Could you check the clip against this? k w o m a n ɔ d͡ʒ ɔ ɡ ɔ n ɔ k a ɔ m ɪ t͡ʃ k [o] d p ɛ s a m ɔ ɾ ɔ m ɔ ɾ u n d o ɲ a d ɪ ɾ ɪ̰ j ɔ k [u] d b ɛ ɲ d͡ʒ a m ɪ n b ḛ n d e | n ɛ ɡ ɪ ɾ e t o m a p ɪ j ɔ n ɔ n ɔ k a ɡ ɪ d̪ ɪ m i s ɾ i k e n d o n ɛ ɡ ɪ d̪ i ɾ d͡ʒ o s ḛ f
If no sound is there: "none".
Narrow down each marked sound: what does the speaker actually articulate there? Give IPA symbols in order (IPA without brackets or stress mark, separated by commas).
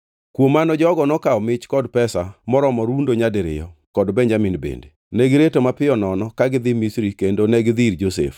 ɔ, ɔ